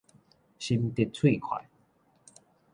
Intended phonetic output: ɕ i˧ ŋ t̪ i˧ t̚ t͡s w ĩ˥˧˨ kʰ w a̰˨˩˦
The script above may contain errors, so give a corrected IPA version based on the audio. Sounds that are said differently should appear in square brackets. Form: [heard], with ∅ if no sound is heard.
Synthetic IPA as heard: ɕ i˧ [m] t̪ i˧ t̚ [t͡sʰ] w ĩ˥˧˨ kʰ w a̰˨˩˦